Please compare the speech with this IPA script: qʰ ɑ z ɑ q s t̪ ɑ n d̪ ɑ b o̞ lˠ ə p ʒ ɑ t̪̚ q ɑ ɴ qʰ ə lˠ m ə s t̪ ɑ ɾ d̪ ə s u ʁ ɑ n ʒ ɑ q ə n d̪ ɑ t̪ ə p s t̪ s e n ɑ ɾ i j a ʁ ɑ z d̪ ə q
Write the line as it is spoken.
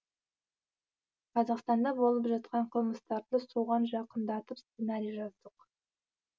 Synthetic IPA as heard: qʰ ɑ z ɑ q s t̪ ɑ n d̪ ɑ b o̞ lˠ ə p ʒ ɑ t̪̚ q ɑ ɴ qʰ ə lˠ m ə s t̪ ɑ ɾ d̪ ə s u ʁ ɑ n ʒ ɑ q ə n d̪ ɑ t̪ ə p s t̪ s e n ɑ ɾ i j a ʒ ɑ z d̪ ə q